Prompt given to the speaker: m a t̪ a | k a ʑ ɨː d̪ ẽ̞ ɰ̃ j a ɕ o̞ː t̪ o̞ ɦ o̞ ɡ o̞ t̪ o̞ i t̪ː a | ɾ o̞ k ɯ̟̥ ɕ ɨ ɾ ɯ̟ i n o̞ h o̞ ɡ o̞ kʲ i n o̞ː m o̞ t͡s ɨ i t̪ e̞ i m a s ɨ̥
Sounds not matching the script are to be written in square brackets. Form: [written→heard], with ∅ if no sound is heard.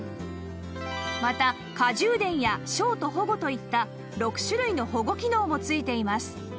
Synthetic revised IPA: m a t̪ a | k a ʑ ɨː d̪ ẽ̞ ɰ̃ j a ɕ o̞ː t̪ o̞ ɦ o̞ ɡ o̞ t̪ o̞ i t̪ː a | ɾ o̞ k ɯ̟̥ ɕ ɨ ɾ ɯ̟ i n o̞ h o̞ ɡ o̞ kʲ i n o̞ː m o̞ t͡s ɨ i t̪ e̞ i m a s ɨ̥